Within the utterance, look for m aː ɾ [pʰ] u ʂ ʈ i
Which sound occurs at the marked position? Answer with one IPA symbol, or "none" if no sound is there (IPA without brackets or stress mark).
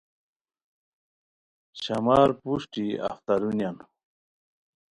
p